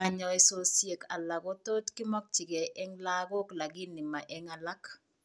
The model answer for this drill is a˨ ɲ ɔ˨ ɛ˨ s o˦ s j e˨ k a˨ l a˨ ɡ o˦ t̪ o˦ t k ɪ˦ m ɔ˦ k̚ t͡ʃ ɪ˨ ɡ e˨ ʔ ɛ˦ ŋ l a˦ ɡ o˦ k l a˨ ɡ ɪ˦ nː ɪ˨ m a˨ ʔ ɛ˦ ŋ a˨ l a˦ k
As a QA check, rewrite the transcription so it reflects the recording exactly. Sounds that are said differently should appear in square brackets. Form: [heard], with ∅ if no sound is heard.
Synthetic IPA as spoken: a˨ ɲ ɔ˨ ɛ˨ s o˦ s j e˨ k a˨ l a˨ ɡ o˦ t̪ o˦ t k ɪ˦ m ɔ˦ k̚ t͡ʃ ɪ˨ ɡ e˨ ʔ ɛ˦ ŋ l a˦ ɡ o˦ k l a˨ ɡ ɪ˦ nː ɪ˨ m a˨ ʔ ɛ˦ ŋ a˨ l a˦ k